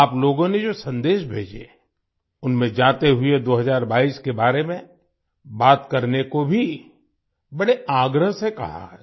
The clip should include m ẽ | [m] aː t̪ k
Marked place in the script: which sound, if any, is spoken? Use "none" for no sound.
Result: b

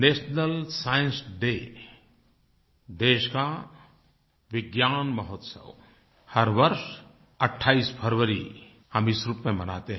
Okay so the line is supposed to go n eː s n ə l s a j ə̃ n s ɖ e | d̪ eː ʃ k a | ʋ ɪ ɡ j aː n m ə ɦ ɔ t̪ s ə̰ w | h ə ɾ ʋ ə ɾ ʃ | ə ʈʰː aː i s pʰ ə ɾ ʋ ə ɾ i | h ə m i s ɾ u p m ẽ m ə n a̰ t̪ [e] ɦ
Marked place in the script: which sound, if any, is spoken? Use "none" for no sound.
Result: e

